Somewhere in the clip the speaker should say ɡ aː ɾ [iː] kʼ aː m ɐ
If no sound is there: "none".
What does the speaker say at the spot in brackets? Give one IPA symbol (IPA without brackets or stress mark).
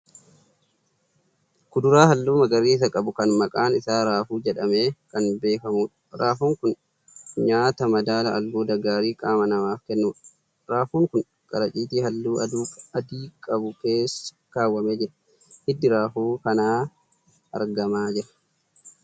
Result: iː